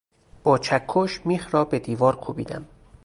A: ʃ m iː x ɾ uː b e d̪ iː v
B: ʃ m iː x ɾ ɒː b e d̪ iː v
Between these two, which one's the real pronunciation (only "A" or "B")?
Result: B